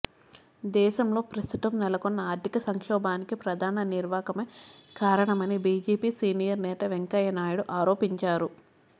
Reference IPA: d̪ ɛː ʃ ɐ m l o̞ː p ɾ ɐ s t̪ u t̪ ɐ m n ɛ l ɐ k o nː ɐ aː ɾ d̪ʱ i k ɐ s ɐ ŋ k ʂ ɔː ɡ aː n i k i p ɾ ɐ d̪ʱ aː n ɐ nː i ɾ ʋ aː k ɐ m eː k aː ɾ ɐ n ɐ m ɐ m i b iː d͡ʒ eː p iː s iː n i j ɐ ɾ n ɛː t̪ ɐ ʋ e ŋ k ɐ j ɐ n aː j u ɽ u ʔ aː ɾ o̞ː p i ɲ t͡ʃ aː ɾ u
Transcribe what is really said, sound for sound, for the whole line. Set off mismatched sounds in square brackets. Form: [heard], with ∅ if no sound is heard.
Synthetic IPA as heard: d̪ ɛː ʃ ɐ m l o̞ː p ɾ ɐ s t̪ u t̪ ɐ m n ɛ l ɐ k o nː ɐ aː ɾ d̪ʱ i k ɐ s ɐ ŋ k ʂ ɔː [b] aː n i k i p ɾ ɐ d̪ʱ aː n ɐ [n] i ɾ ʋ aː k ɐ m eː k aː ɾ ɐ [ɳ] ɐ m ɐ [n] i b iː d͡ʒ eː p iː s iː n i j ɐ ɾ n ɛː t̪ ɐ ʋ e ŋ k ɐ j ɐ n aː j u ɽ u ʔ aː ɾ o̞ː p i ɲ t͡ʃ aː ɾ u